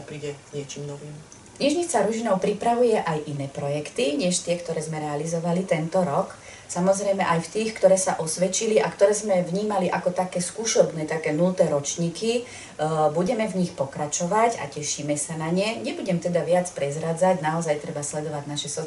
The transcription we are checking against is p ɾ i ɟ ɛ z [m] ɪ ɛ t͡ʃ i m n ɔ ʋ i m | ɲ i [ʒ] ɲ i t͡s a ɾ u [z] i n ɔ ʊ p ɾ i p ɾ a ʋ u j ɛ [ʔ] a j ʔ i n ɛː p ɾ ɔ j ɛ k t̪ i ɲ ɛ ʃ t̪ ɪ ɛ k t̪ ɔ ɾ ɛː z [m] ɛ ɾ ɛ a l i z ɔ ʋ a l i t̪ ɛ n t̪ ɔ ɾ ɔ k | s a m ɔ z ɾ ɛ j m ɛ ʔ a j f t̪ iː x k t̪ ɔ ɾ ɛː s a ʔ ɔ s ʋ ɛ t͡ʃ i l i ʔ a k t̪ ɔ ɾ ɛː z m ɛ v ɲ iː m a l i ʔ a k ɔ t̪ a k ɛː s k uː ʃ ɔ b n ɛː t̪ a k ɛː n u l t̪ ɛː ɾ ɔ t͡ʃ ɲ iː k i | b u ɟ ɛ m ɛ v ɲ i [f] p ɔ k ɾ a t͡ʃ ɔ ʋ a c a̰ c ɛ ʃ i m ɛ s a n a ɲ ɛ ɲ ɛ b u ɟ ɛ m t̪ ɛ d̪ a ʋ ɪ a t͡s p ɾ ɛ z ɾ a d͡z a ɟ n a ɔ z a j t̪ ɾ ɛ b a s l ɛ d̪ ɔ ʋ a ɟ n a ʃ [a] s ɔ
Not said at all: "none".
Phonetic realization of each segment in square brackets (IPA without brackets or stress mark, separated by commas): ɲ, ʒ, ʒ, ʔ, m, x, ɛ